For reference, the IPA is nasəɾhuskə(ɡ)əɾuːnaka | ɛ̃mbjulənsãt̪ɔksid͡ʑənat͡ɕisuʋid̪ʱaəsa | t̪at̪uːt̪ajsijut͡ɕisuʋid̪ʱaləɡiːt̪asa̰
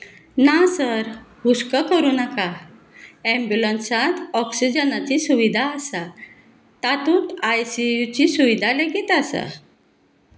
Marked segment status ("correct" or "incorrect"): incorrect